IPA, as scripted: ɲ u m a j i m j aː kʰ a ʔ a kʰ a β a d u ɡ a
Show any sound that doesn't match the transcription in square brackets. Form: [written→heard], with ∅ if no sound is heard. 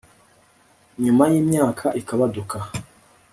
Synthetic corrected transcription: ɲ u m a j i m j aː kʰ a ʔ [a→i] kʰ a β a d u [ɡ→k] a